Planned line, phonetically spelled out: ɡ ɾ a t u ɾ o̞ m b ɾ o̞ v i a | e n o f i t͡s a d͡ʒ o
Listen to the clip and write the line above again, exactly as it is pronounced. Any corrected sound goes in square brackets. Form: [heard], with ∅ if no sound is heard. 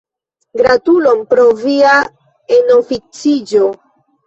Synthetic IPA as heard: ɡ ɾ a t u [l] o̞ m [p] ɾ o̞ v i a | e n o f i t͡s [i] d͡ʒ o